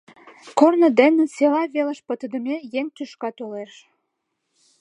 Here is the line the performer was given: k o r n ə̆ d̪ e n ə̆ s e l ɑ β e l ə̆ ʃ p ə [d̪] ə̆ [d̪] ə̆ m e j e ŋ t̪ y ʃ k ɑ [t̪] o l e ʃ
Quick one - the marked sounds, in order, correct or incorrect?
incorrect, correct, correct

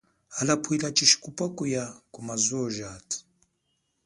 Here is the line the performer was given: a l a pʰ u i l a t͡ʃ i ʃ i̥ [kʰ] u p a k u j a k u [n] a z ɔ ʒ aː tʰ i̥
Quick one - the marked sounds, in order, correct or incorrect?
incorrect, incorrect

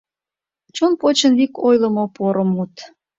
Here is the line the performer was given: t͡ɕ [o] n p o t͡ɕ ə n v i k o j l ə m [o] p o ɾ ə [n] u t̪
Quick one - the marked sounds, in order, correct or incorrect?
correct, correct, incorrect

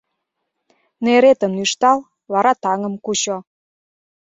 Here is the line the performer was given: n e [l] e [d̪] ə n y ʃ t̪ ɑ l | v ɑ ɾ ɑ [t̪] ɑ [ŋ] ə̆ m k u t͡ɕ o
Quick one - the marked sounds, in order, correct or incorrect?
incorrect, incorrect, correct, correct

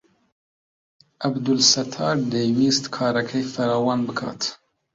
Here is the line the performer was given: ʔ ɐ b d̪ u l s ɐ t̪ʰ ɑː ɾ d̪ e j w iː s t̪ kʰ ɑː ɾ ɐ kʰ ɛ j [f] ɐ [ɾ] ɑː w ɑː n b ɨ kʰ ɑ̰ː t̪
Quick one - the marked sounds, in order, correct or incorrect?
correct, correct

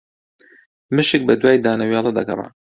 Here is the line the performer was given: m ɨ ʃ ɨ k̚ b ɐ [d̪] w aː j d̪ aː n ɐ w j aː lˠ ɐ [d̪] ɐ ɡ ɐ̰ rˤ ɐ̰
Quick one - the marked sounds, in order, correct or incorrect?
correct, correct

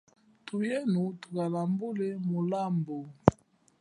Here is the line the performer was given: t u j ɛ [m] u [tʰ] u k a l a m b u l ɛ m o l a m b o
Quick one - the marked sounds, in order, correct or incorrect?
incorrect, incorrect

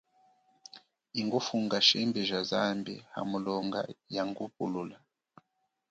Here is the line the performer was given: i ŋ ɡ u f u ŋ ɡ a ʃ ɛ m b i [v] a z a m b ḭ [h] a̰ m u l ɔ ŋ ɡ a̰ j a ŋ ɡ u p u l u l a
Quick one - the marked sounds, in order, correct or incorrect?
incorrect, correct

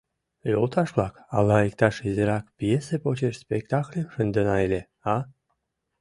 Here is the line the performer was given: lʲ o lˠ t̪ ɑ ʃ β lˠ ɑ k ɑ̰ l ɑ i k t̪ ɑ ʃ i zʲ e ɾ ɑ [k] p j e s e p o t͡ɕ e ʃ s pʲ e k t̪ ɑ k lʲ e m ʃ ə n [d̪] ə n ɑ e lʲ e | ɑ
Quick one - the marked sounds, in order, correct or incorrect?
correct, correct

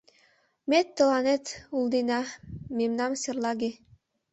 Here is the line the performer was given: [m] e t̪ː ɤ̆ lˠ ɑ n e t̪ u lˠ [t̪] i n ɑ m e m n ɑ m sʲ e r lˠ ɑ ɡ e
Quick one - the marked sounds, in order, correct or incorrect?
correct, incorrect

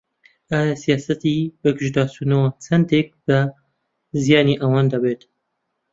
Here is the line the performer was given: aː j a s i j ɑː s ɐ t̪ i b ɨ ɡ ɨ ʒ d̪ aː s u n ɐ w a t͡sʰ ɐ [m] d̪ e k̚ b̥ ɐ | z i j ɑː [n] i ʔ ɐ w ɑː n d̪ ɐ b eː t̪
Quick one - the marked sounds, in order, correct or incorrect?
incorrect, correct

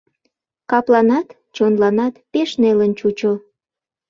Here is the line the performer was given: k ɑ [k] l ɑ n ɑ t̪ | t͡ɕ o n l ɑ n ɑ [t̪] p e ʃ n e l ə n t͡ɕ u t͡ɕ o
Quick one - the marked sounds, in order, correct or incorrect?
incorrect, correct

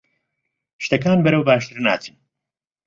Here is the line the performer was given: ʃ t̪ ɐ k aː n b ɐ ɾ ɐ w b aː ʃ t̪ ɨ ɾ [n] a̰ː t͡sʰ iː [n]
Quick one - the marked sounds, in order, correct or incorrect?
correct, correct

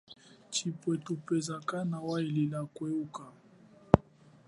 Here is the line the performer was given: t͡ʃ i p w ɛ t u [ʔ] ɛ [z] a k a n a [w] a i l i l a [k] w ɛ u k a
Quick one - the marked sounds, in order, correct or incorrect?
incorrect, correct, correct, correct

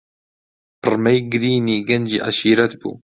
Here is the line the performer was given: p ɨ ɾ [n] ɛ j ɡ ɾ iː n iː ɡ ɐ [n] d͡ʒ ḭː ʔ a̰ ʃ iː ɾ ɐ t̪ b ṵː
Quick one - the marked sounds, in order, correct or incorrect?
incorrect, correct

